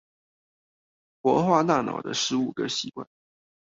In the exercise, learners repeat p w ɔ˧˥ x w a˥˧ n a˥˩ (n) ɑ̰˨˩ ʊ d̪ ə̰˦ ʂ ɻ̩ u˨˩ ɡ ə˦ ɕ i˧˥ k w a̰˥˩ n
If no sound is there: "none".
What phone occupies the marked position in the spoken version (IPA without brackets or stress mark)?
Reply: n